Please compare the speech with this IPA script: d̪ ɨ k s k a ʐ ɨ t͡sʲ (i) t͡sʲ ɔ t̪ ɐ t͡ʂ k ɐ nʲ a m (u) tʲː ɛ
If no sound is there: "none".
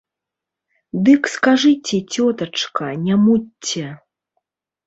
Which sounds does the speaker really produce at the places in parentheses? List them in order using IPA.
ɛ, u

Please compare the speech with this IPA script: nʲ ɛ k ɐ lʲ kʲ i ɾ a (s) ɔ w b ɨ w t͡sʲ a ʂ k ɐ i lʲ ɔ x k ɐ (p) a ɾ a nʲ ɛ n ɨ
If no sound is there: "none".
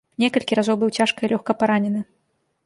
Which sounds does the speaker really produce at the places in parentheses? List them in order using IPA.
z, p

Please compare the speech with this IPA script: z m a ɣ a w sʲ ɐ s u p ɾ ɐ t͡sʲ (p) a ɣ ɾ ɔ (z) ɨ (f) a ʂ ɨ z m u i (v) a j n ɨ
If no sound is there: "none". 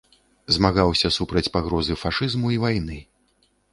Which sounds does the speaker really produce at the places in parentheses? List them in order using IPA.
p, z, f, v

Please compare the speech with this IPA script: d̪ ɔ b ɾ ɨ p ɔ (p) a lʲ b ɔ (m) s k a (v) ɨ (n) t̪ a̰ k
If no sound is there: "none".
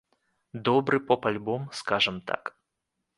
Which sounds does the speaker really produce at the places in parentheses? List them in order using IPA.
p, m, ʐ, m

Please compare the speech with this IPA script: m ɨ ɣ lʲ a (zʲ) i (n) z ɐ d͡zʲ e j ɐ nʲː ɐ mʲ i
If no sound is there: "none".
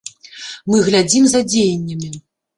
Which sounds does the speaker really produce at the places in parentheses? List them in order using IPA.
d͡zʲ, m

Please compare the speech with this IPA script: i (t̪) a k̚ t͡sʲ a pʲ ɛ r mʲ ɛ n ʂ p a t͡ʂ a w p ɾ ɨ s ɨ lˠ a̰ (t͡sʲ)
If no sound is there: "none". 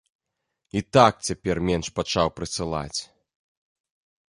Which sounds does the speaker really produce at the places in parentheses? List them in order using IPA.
t̪, t͡sʲ

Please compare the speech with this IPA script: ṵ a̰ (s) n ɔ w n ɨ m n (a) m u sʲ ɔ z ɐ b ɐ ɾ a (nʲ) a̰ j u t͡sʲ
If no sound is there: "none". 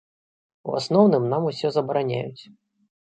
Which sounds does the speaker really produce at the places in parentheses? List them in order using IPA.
s, a, nʲ

